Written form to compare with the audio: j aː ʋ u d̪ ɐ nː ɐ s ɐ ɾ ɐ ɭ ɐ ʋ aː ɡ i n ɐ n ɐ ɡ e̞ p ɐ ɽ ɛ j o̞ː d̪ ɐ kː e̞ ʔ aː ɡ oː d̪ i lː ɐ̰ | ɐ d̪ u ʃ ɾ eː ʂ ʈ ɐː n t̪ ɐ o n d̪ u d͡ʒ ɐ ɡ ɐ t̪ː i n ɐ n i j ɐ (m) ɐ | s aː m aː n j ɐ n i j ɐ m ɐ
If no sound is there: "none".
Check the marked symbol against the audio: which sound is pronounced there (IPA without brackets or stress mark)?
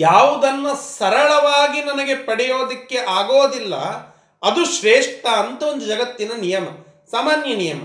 m